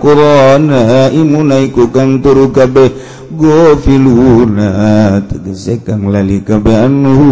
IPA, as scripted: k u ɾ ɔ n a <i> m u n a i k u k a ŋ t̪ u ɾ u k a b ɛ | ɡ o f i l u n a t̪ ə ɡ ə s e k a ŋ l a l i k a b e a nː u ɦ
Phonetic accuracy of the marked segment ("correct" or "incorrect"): correct